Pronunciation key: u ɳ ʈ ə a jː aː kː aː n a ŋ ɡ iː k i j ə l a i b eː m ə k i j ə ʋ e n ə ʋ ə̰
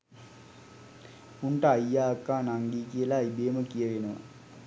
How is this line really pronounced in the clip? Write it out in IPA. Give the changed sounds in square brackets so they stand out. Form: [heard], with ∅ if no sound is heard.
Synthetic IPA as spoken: u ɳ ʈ ə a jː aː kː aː n a ŋ ɡ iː k i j ə l a i b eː m ə k i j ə ʋ e n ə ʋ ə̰